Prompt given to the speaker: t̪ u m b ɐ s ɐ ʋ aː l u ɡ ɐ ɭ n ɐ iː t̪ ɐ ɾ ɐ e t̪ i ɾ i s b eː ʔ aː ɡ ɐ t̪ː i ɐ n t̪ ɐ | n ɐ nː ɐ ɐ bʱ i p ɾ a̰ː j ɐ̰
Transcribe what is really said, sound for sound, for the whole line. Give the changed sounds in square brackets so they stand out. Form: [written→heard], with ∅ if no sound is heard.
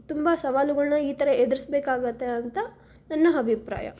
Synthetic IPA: t̪ u m b ɐ s ɐ ʋ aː l u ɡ ɐ ɭ n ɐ iː t̪ ɐ ɾ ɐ e [t̪→d̪] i ɾ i s b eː [ʔ→k] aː ɡ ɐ t̪ː [i→e] ɐ n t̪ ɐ | n ɐ nː ɐ ɐ bʱ i p ɾ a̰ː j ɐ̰